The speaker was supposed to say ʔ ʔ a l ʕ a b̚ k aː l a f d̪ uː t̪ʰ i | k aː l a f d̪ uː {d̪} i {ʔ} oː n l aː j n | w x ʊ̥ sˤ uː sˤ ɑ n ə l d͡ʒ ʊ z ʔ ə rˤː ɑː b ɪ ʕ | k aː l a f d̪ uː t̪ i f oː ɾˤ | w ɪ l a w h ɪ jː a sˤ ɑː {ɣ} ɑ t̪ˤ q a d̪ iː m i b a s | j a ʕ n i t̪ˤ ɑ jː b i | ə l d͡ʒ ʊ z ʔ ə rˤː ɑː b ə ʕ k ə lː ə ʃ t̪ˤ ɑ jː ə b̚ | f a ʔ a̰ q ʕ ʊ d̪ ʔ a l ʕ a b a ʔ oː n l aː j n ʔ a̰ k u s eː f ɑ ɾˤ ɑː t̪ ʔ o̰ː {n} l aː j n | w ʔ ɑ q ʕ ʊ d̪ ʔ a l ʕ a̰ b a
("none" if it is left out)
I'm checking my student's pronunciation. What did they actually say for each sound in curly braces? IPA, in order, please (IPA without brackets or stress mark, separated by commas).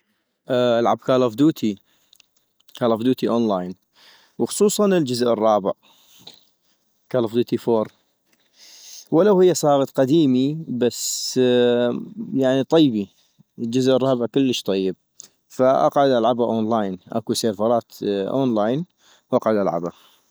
t̪, ʔ, ɣ, n